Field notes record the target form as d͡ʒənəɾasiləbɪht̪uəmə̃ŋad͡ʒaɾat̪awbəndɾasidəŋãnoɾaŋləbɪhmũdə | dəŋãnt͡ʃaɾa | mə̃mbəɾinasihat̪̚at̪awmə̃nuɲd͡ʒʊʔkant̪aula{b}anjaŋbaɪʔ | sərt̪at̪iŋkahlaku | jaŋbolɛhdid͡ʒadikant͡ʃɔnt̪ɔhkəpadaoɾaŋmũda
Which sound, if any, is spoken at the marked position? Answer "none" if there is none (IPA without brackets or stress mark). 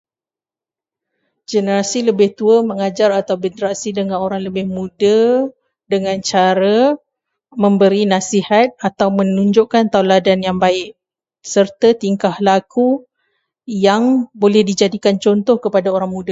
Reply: d